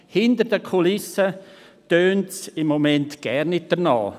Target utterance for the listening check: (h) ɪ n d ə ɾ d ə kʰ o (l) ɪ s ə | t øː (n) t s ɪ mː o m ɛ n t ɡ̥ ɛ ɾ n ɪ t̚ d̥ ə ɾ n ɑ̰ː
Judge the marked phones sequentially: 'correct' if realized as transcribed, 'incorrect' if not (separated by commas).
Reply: correct, correct, correct